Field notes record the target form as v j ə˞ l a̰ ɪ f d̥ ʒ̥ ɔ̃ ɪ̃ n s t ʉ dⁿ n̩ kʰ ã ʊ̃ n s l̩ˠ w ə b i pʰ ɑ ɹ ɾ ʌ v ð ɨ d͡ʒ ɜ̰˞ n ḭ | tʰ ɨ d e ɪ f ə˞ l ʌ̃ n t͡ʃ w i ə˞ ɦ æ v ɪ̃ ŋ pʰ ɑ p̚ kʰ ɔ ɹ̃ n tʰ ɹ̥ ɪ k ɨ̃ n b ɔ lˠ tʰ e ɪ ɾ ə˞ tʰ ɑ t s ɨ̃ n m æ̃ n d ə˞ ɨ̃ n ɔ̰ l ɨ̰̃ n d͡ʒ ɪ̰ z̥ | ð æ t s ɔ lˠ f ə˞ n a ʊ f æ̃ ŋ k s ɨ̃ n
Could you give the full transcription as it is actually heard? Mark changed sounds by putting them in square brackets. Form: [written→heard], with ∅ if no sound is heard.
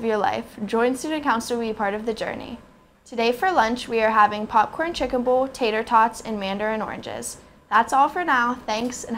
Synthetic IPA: v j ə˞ l a̰ ɪ f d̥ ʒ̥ ɔ̃ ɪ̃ n s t ʉ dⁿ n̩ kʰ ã ʊ̃ n s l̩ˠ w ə b i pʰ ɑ ɹ ɾ ʌ v ð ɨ d͡ʒ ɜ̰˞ n ḭ | tʰ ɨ d e ɪ f ə˞ l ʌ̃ n t͡ʃ w i ə˞ ɦ æ v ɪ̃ ŋ pʰ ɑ p̚ kʰ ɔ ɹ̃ n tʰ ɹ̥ ɪ k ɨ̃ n b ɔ lˠ tʰ e ɪ ɾ ə˞ tʰ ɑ t s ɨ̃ n m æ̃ n d ə˞ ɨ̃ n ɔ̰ [l→ɹ] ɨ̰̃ n d͡ʒ ɪ̰ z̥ | ð æ t s ɔ lˠ f ə˞ n a ʊ [f→θ] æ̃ ŋ k s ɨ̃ n